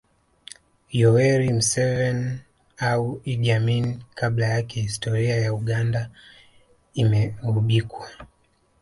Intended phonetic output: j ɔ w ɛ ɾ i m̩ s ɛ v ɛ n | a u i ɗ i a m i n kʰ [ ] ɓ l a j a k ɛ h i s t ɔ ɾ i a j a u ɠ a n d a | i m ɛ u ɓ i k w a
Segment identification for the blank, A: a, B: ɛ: A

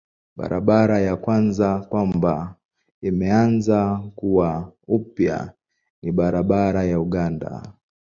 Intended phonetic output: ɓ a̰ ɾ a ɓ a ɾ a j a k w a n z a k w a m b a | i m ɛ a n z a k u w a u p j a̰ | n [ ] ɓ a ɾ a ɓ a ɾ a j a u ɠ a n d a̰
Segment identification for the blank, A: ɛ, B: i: B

